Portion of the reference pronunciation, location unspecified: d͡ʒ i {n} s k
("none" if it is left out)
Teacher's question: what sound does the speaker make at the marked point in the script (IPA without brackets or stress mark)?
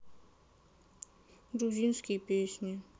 n